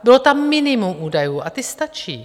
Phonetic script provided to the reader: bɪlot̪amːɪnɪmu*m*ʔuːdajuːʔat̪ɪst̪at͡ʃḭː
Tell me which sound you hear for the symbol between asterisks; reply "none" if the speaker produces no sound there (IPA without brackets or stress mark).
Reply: m